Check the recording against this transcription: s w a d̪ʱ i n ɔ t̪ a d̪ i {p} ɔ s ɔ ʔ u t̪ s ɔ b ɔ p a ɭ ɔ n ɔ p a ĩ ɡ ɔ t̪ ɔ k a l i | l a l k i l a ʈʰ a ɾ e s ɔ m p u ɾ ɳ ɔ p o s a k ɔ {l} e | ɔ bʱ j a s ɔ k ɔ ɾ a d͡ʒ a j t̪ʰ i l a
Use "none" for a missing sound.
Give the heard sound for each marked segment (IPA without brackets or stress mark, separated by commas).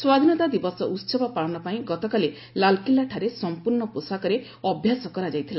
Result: b, ɾ